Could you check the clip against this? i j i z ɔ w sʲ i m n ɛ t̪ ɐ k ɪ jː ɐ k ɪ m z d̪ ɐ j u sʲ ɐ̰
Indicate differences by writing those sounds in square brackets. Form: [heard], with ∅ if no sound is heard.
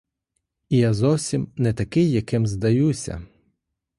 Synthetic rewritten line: i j [a] z ɔ w sʲ i m n ɛ t̪ ɐ k ɪ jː ɐ k ɪ m z d̪ ɐ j u sʲ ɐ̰

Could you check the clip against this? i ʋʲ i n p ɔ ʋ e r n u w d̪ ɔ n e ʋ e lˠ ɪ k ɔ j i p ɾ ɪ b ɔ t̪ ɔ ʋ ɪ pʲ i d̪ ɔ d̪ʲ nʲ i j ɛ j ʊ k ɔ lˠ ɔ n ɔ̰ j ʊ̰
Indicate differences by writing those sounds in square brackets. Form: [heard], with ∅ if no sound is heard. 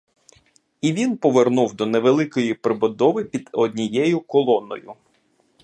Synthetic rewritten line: i ʋʲ i n p ɔ ʋ e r n u w d̪ ɔ n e ʋ e lˠ ɪ k ɔ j i p ɾ ɪ b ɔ [d̪] ɔ ʋ ɪ pʲ i d̪ ɔ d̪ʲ nʲ i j ɛ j ʊ k ɔ lˠ ɔ n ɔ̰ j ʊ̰

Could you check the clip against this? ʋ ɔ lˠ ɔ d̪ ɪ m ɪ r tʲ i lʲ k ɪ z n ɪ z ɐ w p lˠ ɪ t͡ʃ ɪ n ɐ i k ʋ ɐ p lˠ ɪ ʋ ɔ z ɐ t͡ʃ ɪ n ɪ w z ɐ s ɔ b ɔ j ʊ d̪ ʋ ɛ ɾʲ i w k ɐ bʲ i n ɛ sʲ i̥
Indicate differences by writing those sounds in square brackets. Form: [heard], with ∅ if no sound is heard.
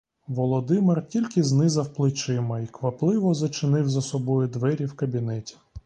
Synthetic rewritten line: ʋ ɔ lˠ ɔ d̪ ɪ m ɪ r tʲ i lʲ k ɪ z n ɪ z ɐ w p lˠ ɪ t͡ʃ ɪ [m] ɐ i k ʋ ɐ p lˠ ɪ ʋ ɔ z ɐ t͡ʃ ɪ n ɪ w z ɐ s ɔ b ɔ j ʊ d̪ ʋ ɛ ɾʲ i w k ɐ bʲ i n ɛ [tʲ] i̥

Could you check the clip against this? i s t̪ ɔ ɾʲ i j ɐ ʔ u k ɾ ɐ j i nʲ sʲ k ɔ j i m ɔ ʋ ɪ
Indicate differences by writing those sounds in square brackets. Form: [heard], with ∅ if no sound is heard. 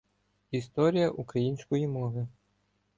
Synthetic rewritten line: i s t̪ ɔ ɾʲ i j ɐ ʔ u k ɾ ɐ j i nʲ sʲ k ɔ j i m ɔ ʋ ɪ

